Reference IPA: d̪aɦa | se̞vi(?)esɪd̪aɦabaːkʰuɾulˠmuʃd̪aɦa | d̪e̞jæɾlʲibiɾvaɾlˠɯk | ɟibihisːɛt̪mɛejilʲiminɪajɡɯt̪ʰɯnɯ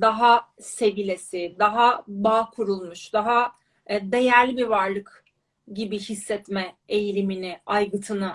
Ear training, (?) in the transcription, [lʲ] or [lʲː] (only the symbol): lʲ